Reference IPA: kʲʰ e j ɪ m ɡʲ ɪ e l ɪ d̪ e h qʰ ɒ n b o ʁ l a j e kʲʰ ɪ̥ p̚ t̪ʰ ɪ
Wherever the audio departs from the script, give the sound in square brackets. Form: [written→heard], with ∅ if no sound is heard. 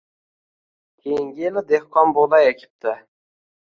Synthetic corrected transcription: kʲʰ e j ɪ [m→ŋ] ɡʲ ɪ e l ɪ d̪ e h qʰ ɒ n b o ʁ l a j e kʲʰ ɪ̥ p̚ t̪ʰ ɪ